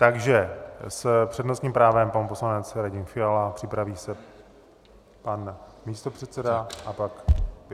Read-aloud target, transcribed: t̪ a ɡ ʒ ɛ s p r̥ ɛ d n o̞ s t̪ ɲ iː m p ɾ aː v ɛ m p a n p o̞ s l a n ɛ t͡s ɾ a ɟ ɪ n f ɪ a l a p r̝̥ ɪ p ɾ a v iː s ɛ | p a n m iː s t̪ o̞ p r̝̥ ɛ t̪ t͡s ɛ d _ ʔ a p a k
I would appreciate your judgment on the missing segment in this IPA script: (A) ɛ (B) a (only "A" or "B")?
B